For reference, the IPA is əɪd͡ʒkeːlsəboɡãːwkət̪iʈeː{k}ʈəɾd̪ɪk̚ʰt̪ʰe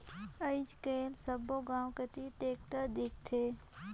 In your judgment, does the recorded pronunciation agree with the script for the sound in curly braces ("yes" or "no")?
yes